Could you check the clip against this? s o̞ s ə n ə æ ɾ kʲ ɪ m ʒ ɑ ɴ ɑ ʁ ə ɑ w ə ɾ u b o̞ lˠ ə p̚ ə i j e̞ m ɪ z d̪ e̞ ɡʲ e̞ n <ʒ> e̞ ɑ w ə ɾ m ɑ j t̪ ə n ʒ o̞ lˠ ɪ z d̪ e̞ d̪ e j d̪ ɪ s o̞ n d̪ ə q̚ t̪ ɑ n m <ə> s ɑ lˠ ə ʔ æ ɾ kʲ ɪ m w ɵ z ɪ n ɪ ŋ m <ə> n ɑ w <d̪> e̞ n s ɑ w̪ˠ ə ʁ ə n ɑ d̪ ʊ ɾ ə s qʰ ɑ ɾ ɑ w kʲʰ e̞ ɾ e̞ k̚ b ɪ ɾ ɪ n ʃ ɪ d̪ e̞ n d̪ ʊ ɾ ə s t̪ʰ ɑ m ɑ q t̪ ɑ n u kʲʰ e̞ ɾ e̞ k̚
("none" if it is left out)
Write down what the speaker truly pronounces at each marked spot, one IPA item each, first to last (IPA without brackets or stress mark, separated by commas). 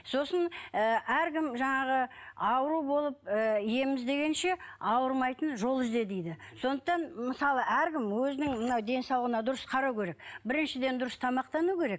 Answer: ʃ, ə, ə, d̪